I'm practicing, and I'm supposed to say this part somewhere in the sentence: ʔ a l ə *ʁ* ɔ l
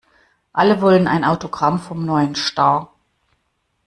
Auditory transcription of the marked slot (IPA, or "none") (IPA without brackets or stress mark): v